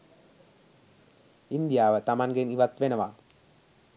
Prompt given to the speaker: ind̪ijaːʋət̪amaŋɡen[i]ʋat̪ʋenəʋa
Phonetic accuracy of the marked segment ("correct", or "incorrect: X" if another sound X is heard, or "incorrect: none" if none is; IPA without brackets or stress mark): correct